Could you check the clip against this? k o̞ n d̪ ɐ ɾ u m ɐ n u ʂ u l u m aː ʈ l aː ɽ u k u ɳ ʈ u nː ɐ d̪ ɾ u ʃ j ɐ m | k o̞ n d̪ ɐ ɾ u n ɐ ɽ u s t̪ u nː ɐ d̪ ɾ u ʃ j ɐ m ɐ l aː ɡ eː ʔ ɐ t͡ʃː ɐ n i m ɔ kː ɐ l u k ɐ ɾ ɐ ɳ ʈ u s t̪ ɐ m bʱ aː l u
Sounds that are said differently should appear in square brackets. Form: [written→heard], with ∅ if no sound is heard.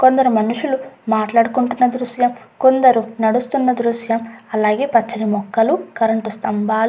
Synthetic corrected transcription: k o̞ n d̪ ɐ ɾ u m ɐ n u ʂ u l u m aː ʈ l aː ɽ u k u ɳ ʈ u nː ɐ d̪ ɾ u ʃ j ɐ m | k o̞ n d̪ ɐ ɾ u n ɐ ɽ u s t̪ u nː ɐ d̪ ɾ u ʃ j ɐ m ɐ l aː ɡ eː [ʔ→p] ɐ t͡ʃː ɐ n i m ɔ kː ɐ l u k ɐ ɾ ɐ ɳ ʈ u s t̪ ɐ m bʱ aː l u